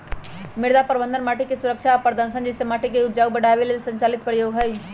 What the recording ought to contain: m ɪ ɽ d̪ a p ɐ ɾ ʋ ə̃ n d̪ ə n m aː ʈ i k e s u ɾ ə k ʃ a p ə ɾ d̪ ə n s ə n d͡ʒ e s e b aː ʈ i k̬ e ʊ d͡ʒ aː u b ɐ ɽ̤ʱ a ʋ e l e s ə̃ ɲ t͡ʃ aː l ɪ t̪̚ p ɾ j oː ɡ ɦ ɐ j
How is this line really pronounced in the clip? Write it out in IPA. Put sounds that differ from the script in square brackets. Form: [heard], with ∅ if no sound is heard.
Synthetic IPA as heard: m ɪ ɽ d̪ a p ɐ ɾ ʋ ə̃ n d̪ ə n m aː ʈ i k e s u ɾ ə k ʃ a p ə ɾ d̪ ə n s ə n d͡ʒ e s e [m] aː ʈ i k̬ e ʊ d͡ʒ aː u b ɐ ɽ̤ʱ a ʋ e l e s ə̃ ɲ t͡ʃ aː l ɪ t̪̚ p ɾ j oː ɡ ɦ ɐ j